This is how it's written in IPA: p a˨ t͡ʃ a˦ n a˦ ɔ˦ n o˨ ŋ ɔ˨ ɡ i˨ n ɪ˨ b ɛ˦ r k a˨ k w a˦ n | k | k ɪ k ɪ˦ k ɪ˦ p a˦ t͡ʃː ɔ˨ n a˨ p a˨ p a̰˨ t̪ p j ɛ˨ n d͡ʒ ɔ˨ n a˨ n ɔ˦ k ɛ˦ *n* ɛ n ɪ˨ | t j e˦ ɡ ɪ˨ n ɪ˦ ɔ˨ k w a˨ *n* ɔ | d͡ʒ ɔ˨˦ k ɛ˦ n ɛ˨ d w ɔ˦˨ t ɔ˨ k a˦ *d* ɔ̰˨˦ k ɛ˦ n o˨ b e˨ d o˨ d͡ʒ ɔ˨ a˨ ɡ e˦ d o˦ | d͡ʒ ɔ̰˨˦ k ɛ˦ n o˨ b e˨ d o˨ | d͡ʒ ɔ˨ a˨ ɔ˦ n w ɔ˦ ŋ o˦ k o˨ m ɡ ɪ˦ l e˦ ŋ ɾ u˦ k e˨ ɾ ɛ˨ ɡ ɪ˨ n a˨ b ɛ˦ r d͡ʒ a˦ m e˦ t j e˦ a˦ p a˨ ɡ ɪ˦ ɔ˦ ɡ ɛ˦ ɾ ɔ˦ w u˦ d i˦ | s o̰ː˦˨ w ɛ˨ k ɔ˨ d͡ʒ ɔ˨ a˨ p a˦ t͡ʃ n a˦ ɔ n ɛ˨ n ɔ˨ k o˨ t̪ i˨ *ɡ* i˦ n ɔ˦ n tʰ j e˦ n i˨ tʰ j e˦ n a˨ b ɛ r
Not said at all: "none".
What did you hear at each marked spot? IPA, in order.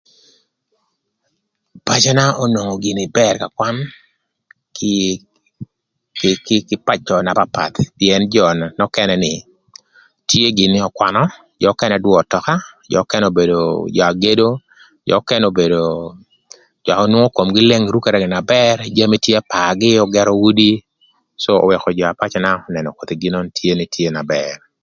n, n, d͡ʒ, ɡ

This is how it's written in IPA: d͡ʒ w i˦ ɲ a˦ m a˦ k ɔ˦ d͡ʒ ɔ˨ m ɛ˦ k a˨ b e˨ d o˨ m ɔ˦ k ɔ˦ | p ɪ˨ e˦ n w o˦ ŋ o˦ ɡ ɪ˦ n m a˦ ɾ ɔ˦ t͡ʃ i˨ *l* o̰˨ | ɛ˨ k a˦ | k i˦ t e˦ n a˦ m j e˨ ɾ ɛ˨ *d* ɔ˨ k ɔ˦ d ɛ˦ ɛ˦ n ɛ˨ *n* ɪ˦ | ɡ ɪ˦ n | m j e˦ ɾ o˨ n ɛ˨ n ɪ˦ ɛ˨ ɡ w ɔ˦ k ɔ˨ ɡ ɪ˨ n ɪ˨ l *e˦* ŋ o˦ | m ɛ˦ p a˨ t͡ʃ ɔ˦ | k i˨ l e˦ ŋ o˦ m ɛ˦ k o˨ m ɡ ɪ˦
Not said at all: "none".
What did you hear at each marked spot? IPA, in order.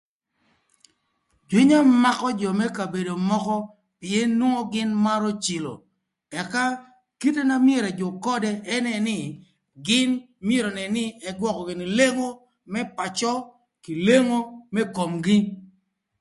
l, d͡ʒ, n, e˦

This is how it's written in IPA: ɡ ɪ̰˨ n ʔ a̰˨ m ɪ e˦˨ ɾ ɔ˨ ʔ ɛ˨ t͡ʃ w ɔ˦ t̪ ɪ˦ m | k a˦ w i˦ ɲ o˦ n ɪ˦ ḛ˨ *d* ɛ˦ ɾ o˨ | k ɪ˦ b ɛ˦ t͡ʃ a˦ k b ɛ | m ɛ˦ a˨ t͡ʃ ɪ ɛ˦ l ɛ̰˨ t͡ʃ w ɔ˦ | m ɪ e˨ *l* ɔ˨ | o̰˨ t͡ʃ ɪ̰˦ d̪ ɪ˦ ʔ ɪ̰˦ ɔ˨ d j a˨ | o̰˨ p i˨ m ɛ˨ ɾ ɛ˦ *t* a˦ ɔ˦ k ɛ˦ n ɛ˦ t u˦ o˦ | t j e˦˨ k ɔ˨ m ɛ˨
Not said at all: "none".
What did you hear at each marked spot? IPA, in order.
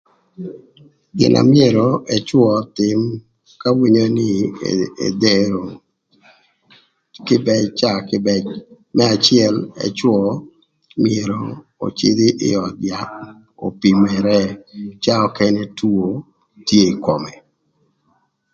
d, ɾ, t͡ʃ

